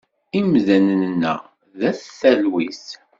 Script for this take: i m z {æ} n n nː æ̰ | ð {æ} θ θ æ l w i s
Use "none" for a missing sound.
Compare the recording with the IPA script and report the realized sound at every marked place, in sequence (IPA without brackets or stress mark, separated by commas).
æ, æ